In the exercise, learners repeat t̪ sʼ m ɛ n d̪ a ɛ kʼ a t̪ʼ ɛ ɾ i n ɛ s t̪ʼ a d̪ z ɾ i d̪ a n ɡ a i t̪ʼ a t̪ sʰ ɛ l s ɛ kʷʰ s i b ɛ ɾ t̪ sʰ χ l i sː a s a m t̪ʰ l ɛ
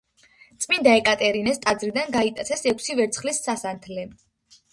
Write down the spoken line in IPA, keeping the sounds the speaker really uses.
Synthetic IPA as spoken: t̪ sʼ m i n d̪ a ɛ kʼ a t̪ʼ ɛ ɾ i n ɛ s t̪ʼ a d̪ z ɾ i d̪ a n ɡ a i t̪ʼ a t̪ sʰ ɛ s ɛ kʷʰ s i v ɛ ɾ t̪ sʰ χ l i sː a s a n t̪ʰ l ɛ